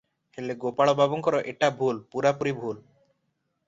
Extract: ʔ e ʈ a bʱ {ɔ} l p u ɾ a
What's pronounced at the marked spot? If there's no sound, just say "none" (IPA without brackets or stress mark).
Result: u